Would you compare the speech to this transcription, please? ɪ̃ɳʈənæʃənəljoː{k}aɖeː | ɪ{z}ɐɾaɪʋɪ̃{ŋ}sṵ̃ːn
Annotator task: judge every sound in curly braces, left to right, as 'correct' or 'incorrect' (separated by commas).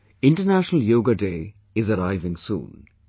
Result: incorrect, correct, correct